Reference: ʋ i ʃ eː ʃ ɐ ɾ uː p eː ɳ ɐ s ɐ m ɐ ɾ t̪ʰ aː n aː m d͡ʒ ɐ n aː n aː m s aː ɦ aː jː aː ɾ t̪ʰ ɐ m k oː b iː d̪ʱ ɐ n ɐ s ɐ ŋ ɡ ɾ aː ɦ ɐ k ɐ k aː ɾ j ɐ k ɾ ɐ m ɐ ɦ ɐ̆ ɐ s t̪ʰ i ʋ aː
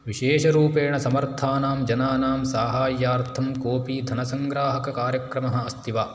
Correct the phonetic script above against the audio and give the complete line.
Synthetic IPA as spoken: ʋ i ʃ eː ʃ ɐ ɾ uː p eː ɳ ɐ s ɐ m ɐ ɾ t̪ʰ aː n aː m d͡ʒ ɐ n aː n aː m s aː ɦ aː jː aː ɾ t̪ʰ ɐ m k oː p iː d̪ʱ ɐ n ɐ s ɐ ŋ ɡ ɾ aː ɦ ɐ k ɐ k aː ɾ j ɐ k ɾ ɐ m ɐ ɦ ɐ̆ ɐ s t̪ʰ i ʋ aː